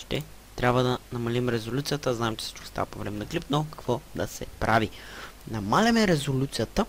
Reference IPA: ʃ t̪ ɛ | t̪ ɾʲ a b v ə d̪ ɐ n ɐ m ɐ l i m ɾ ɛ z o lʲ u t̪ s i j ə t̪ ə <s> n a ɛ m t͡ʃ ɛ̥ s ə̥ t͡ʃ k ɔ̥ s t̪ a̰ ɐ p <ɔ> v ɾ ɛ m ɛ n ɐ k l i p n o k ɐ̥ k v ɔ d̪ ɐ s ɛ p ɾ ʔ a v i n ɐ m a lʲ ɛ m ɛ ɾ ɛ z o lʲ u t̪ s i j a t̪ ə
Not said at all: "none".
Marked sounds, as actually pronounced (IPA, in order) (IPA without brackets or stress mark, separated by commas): z, o